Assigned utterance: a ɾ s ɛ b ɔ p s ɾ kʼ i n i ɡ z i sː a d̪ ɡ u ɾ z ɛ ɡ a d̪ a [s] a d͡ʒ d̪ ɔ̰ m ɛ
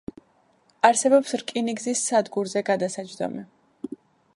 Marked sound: correct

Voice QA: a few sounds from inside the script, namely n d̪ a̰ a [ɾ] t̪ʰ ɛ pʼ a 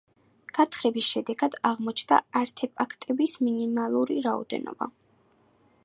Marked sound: correct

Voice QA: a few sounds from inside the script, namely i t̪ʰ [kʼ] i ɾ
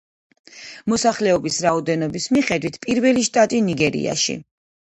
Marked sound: incorrect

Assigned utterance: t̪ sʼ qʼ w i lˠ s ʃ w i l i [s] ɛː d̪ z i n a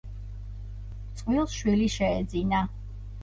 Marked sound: incorrect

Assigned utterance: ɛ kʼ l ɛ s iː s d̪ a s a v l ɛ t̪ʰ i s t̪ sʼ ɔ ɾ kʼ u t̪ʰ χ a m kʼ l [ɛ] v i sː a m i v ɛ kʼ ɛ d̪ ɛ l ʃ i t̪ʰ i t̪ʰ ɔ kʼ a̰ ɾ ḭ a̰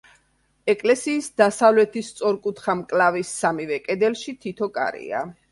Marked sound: incorrect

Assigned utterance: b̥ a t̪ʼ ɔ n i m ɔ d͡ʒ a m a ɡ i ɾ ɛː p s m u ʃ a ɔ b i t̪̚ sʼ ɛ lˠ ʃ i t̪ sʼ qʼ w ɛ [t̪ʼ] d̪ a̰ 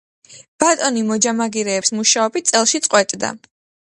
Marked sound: correct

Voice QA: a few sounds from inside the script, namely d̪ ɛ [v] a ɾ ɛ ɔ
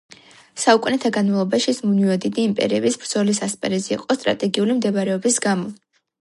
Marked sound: correct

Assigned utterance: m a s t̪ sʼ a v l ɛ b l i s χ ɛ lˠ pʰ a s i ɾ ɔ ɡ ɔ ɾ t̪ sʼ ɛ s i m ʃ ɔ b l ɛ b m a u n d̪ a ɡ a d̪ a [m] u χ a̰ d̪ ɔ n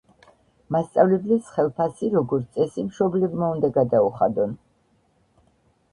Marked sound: incorrect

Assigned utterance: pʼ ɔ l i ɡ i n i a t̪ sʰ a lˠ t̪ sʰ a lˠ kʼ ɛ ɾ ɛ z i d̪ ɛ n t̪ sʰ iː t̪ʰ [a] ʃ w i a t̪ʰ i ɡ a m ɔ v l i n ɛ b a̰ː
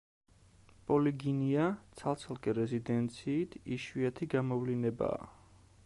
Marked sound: incorrect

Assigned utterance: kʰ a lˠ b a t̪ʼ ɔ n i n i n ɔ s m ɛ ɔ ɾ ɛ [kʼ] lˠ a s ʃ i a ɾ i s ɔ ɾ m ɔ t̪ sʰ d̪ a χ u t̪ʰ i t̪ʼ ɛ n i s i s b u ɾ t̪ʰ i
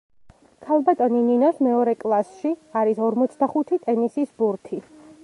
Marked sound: correct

